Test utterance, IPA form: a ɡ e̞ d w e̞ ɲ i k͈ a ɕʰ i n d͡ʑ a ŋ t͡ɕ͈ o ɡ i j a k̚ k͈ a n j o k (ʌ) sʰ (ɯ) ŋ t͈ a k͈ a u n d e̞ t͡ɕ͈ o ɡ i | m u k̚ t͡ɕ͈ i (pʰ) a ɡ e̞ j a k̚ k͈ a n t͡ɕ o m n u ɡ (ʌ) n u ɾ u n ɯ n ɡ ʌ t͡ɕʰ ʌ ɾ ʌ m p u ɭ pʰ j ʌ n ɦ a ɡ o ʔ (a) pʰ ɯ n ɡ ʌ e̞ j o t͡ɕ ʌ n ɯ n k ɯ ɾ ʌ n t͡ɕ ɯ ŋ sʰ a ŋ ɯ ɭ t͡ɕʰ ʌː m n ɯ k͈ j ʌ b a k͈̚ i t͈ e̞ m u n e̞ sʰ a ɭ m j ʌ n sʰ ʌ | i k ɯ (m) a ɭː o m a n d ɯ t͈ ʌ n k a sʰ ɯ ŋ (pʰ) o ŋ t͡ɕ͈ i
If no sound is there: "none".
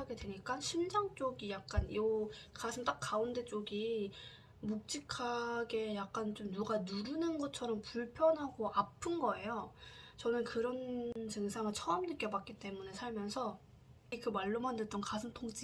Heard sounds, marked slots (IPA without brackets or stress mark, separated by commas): a, ɯ, kʰ, a, a, m, tʰ